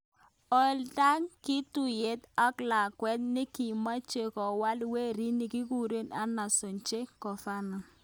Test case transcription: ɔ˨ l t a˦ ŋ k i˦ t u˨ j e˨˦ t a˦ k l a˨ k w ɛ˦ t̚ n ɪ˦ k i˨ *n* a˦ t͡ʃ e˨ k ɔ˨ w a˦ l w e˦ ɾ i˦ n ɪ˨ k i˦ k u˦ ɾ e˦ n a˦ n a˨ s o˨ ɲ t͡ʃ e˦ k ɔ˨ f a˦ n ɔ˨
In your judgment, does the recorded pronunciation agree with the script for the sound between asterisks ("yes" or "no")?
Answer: no